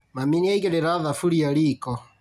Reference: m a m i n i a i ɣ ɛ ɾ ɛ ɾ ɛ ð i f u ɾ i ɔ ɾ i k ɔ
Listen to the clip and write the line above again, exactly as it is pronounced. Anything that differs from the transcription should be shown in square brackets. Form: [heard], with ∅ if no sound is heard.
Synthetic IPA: m a m i n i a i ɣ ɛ ɾ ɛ ɾ [a] ð [a] f u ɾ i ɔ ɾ i k ɔ